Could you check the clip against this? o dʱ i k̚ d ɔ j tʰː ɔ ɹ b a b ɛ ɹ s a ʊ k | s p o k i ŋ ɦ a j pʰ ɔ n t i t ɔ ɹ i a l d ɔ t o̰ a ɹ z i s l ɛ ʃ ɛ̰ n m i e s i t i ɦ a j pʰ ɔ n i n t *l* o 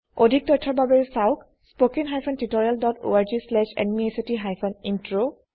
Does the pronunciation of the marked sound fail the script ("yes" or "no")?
yes